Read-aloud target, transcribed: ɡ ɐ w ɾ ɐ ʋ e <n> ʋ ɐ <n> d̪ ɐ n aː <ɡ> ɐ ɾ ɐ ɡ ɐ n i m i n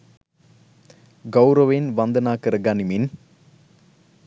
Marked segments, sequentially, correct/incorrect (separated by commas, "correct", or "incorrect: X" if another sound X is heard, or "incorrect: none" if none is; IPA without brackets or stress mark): correct, correct, incorrect: k